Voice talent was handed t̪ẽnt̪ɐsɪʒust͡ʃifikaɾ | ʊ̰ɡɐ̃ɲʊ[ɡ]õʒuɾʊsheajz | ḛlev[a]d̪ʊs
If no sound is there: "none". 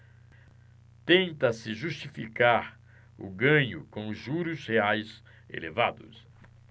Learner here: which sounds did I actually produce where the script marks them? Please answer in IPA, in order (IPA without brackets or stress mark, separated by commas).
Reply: k, a